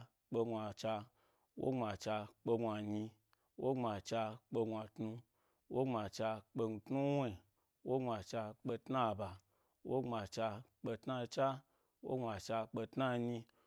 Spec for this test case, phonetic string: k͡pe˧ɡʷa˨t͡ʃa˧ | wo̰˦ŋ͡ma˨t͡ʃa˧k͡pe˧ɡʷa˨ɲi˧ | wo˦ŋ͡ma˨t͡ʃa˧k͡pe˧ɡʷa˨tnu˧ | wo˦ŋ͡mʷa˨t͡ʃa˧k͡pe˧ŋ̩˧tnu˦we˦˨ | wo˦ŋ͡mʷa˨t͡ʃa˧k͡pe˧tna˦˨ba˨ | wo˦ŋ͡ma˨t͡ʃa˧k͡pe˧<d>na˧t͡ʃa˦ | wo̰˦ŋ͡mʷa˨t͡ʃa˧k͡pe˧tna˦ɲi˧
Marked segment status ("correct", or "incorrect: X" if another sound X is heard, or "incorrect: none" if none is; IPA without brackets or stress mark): incorrect: t